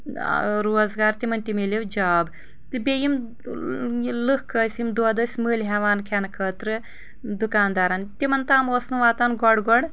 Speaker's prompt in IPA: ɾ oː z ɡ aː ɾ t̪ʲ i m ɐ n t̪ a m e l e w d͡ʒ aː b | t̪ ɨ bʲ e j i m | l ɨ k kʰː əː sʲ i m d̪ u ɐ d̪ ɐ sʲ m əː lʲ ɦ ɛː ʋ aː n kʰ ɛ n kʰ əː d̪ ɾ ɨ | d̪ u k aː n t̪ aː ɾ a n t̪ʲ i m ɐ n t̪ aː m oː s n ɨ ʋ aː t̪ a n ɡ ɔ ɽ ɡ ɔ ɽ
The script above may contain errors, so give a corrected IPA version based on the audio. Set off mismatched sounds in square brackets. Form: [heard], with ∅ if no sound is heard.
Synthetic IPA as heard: ɾ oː z ɡ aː ɾ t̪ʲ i m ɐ n t̪ [i] m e l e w d͡ʒ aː b | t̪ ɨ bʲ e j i m | l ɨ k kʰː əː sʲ i m d̪ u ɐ d̪ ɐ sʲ m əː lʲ ɦ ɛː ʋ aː n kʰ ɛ n kʰ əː [t̪] ɾ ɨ | d̪ u k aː n [d̪] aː ɾ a n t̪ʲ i m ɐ n t̪ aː m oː s n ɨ ʋ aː t̪ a n ɡ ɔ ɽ ɡ ɔ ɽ